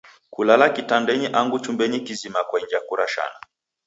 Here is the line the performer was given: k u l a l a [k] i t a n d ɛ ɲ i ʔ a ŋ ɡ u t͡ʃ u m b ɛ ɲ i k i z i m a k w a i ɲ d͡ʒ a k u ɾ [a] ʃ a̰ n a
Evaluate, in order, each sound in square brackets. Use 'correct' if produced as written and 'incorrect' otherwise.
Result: correct, correct

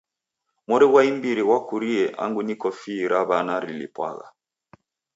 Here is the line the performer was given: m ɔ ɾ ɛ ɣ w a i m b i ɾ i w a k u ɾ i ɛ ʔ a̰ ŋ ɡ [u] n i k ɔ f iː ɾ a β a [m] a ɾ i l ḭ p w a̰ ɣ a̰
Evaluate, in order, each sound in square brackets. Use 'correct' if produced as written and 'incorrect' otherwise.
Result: correct, incorrect: n

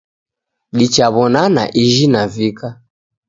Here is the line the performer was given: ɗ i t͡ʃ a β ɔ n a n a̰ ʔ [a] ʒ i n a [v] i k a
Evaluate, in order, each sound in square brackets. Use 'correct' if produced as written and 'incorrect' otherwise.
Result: incorrect: i, correct

